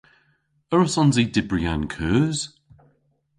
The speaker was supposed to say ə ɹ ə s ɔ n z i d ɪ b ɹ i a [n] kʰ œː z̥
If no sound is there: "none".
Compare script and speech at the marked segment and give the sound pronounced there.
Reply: n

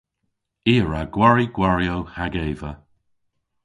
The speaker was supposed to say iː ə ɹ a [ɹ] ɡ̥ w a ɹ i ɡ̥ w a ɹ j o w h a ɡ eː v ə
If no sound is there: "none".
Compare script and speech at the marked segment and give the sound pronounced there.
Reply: none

